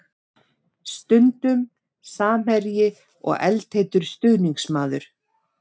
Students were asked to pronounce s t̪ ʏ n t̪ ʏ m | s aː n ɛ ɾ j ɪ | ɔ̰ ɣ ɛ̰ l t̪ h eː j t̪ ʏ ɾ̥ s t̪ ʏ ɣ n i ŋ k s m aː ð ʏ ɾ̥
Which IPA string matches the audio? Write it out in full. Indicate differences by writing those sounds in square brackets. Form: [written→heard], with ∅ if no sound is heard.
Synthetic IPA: s t̪ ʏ n t̪ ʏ m | s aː [n→m] ɛ ɾ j ɪ | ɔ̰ ɣ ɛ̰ l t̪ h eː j t̪ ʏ ɾ̥ s t̪ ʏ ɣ n i ŋ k s m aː ð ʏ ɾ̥